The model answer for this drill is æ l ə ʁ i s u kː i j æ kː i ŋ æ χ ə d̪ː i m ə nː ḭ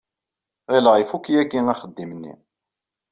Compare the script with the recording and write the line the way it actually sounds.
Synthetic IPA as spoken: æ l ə ʁ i f u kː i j æ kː i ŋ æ χ ə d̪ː i m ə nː ḭ